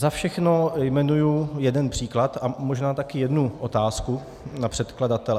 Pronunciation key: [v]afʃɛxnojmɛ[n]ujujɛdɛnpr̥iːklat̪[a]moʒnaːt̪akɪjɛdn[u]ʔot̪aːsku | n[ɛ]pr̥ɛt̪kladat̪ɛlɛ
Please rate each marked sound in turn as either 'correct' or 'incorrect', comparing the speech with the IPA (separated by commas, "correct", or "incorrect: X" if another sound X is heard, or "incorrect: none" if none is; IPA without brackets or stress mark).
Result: incorrect: z, correct, correct, correct, incorrect: a